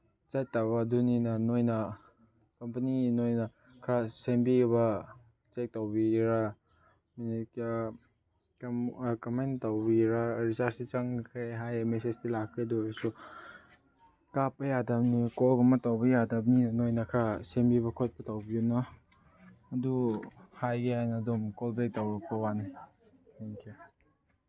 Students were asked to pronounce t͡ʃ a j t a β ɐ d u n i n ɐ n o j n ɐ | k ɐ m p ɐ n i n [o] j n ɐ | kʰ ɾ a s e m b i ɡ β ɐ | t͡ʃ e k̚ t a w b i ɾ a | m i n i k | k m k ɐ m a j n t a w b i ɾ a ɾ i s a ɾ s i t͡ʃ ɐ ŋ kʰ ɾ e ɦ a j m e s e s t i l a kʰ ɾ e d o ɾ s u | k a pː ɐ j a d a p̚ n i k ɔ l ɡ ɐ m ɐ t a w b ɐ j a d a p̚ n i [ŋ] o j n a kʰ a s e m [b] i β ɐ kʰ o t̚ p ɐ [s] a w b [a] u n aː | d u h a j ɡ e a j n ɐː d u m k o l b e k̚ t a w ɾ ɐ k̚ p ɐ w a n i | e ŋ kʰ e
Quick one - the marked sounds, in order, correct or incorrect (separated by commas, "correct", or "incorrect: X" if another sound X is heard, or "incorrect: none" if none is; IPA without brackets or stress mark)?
correct, incorrect: n, correct, incorrect: t, incorrect: i